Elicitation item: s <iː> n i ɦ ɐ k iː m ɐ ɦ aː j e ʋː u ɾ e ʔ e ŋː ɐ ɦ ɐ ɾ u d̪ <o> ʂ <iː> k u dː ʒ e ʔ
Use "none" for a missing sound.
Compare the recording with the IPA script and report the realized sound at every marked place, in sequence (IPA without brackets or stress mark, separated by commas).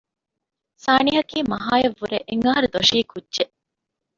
aː, o, iː